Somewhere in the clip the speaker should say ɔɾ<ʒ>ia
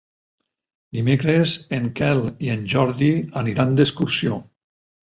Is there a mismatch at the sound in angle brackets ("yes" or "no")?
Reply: yes